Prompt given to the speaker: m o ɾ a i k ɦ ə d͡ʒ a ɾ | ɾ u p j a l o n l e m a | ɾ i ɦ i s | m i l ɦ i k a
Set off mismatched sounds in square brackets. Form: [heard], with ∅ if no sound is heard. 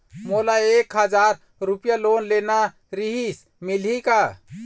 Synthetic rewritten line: m o [l] a [e] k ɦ ə d͡ʒ a ɾ | ɾ u p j a l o n l e [n] a | ɾ i ɦ i s | m i l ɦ i k a